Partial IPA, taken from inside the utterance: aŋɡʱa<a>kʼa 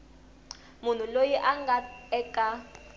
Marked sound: incorrect: ɛ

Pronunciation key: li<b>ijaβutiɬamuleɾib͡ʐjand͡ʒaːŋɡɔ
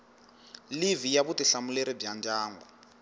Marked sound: incorrect: v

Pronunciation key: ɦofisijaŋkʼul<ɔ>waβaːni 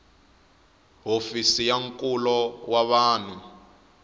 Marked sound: correct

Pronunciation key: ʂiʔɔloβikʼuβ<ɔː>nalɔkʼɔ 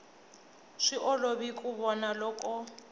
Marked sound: incorrect: ɔ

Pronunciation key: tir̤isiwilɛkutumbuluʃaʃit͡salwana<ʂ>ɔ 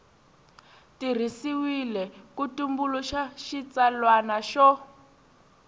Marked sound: incorrect: ʃ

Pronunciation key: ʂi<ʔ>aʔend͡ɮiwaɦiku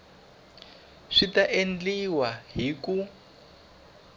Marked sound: incorrect: t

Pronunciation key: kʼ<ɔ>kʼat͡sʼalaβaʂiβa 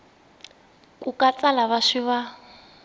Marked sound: incorrect: u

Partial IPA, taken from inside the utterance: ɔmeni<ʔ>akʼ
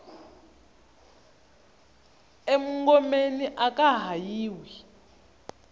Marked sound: correct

